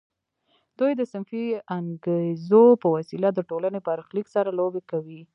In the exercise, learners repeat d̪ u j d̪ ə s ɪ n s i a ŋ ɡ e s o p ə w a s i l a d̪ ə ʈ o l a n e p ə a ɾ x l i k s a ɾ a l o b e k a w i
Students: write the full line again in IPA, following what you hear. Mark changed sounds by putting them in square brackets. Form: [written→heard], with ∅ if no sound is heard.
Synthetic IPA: d̪ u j d̪ ə s ɪ n [s→f] i a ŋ ɡ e [s→z] o p ə w a s i l a d̪ ə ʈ o l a n e p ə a ɾ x l i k s a ɾ a l o b e k a w i